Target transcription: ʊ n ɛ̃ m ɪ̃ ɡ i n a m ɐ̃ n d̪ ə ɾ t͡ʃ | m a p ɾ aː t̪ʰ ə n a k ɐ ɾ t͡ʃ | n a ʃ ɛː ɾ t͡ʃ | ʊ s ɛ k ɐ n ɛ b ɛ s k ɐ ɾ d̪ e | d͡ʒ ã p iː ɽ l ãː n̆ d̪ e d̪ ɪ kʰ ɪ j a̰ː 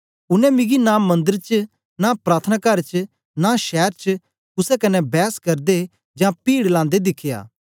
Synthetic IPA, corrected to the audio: ʊ n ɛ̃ m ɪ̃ ɡ i n a m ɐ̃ n d̪ ə ɾ t͡ʃ | n a p ɾ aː t̪ʰ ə n a k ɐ ɾ t͡ʃ | n a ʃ ɛː ɾ t͡ʃ | ʊ s ɛ k ɐ n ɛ b ɛː s k ɐ ɾ d̪ e | d͡ʒ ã p iː ɽ l ãː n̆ d̪ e d̪ ɪ kʰ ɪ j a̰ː

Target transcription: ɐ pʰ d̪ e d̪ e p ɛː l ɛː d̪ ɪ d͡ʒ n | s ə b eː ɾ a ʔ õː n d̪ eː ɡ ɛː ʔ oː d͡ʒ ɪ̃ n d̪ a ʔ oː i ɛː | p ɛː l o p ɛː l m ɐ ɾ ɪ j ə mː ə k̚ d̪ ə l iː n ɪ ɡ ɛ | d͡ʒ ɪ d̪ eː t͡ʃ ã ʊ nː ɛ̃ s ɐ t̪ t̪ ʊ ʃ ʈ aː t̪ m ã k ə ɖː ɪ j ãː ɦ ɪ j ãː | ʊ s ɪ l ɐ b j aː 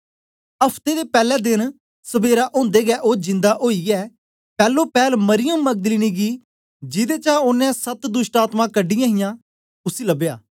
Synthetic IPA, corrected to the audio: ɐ pʰ t̪ e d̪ e p ɛː l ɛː d̪ ɪ n | s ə b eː ɾ a ʔ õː n d̪ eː ɡ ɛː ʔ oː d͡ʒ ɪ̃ n d̪ a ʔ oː i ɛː | p ɛː l o p ɛː l m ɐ ɾ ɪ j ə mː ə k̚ d̪ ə l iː n i ɡ i | d͡ʒ ɪ d̪ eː t͡ʃ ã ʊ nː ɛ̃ s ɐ t̪ d̪ ʊ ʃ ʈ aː t̪ m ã k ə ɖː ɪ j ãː ɦ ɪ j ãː | ʊ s i l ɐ b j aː

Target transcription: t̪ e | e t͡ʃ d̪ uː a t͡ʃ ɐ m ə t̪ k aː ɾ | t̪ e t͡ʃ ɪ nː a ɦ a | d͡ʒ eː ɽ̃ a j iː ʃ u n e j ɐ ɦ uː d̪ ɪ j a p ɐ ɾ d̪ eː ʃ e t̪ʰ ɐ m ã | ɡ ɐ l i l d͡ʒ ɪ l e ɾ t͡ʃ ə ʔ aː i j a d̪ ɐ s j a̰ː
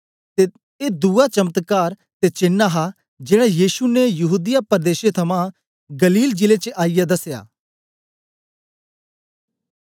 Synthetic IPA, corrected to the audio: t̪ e | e d̪ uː a t͡ʃ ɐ m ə t̪ k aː ɾ | t̪ e t͡ʃ ɪ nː a ɦ a | d͡ʒ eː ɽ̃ a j iː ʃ u n e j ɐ ɦ uː d̪ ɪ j a p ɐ ɾ d̪ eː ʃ e t̪ʰ ɐ m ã | ɡ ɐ l iː l d͡ʒ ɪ l e t͡ʃ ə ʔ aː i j a d̪ ɐ s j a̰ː

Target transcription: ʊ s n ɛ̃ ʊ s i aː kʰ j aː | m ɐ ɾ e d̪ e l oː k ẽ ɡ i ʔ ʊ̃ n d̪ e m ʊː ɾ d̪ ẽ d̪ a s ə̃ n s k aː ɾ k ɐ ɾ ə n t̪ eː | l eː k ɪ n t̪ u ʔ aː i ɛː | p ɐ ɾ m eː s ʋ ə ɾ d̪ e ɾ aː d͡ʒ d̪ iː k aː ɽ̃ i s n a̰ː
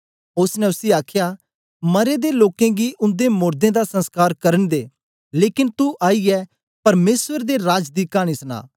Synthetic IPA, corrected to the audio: ʊ s n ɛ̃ ʊ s i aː kʰ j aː | m ɐ ɾ e d̪ e l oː k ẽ ɡ i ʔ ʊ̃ n d̪ e m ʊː ɾ d̪ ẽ d̪ a s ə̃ n s k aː ɾ k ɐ ɾ ə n d̪ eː | l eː k ɪ n t̪ u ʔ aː i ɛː | p ɐ ɾ m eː s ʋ ə ɾ d̪ e ɾ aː d͡ʒ d̪ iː k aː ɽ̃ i s n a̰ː

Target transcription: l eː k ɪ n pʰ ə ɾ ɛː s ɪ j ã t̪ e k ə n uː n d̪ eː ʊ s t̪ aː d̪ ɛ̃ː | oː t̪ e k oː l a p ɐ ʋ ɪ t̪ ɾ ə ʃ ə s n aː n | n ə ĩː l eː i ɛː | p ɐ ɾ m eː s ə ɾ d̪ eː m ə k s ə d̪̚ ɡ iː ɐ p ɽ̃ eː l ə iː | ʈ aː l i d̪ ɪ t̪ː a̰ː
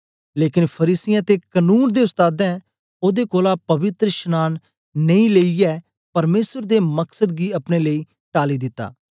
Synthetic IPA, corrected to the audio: l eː k ɪ n pʰ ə ɾ iː s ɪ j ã t̪ e k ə n uː n d̪ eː ʊ s t̪ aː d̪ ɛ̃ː | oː d̪ e k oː l a p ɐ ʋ ɪ t̪ ɾ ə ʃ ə n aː n | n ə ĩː l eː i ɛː | p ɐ ɾ m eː s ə ɾ d̪ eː m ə k s ə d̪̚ ɡ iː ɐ p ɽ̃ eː l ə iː | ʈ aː l i d̪ ɪ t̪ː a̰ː

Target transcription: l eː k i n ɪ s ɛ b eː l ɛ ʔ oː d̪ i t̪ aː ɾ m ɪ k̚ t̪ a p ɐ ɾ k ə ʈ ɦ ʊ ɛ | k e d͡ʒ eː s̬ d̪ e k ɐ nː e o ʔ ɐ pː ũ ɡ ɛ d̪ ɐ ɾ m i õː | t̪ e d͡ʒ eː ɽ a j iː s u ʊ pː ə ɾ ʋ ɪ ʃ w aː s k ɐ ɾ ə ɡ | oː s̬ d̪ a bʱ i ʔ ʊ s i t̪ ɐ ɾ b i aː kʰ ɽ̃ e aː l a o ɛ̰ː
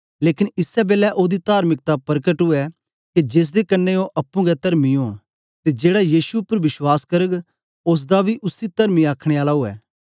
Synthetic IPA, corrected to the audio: l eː k ɪ n ɪ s ɛ b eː l ɛ ʔ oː d̪ i t̪ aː ɾ m ɪ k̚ t̪ a p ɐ ɾ k ə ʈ ɦ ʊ ɛ | k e d͡ʒ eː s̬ d̪ e k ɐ nː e o ʔ ɐ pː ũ ɡ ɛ t̪ ɐ ɾ m i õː | t̪ e d͡ʒ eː ɽ a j iː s u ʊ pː ə ɾ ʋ ɪ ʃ w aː s k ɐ ɾ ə ɡ | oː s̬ d̪ a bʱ i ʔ ʊ s i t̪ ɐ ɾ m i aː kʰ ɽ̃ e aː l a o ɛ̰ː

